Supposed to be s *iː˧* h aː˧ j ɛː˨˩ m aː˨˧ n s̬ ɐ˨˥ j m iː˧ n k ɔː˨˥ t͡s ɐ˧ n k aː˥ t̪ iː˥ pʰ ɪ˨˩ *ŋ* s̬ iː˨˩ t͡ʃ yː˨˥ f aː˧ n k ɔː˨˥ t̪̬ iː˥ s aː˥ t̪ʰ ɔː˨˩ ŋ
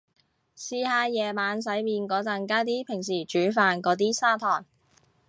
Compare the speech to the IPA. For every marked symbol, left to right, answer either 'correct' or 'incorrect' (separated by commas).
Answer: correct, correct